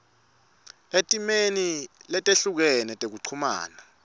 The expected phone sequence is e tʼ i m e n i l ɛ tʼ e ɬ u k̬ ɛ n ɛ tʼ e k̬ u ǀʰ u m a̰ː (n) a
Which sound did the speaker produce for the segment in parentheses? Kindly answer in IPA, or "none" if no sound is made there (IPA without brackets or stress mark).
n